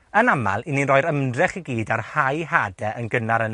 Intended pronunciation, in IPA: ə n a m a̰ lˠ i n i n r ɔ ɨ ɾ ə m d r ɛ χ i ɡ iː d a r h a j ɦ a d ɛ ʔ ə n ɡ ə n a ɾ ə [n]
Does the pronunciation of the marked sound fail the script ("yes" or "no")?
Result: no